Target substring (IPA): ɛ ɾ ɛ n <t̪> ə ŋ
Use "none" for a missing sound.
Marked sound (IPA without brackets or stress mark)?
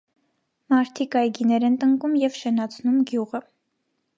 t̪